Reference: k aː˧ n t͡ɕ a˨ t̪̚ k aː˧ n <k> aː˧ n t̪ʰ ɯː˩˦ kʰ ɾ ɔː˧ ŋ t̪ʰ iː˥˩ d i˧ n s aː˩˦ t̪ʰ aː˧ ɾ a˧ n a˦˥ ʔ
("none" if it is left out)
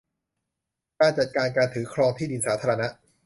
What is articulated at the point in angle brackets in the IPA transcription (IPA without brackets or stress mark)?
k